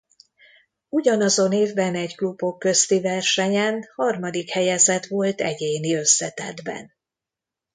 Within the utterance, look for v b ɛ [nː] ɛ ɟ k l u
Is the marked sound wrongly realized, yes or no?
yes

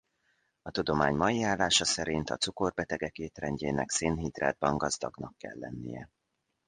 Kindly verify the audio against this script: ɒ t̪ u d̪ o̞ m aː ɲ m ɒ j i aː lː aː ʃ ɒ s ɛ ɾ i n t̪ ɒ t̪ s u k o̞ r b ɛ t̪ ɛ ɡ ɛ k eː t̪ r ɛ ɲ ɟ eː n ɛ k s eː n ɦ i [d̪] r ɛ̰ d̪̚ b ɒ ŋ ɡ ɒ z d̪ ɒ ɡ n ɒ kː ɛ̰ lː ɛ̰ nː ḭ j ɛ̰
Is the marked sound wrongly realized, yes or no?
no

